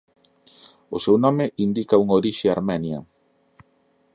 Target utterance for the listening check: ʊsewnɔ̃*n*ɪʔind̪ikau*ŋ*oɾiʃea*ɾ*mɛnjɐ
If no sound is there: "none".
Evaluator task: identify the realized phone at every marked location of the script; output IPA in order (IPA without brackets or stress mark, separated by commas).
m, ŋ, ɾ